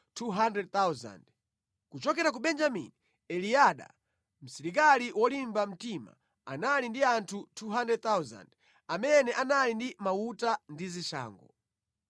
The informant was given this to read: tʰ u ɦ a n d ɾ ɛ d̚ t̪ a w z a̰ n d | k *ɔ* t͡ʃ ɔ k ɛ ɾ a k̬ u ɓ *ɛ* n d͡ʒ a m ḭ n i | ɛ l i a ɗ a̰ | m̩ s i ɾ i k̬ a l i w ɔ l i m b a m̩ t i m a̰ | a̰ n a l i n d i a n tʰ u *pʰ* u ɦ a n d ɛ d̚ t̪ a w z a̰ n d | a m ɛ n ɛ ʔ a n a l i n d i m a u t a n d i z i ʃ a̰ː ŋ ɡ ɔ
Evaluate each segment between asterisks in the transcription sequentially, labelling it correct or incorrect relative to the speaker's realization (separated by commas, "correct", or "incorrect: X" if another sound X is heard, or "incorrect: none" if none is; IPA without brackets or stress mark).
incorrect: u, correct, incorrect: tʰ